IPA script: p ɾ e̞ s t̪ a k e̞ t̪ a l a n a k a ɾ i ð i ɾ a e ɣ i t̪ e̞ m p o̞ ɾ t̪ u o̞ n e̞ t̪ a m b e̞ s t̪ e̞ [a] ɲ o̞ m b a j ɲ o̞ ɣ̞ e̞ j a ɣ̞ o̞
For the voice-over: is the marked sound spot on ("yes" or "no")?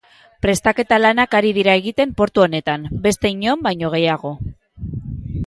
no